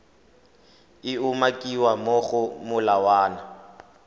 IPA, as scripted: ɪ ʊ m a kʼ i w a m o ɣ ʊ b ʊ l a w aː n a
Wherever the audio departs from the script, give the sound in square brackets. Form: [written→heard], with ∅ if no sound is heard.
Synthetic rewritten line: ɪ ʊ m a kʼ i w a m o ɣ ʊ [b→m] ʊ l a w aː n a